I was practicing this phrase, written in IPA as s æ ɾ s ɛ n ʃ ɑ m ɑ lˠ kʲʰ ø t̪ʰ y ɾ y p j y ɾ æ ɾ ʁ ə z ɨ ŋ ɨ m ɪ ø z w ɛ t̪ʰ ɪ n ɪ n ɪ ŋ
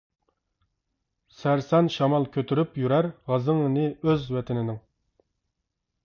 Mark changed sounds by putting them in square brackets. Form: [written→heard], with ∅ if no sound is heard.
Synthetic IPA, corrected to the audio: s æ ɾ s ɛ n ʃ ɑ m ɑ lˠ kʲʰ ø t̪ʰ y ɾ y p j y ɾ æ ɾ ʁ [ə→ɑ] z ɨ ŋ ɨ [m→n] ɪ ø z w ɛ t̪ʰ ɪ n ɪ n ɪ ŋ